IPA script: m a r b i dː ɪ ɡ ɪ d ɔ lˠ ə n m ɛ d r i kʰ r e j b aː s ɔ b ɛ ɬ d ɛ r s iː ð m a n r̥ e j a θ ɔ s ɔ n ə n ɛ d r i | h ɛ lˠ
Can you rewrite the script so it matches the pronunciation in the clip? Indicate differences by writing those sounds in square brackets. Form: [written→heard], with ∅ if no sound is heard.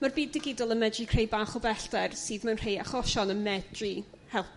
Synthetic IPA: m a r b [i→iː] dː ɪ ɡ ɪ d ɔ lˠ ə n m ɛ d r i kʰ r e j b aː [s→χ] ɔ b ɛ ɬ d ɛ r s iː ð m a n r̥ e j a [θ→χ] ɔ [s→ʃ] ɔ n ə [n→m] ɛ d r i | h ɛ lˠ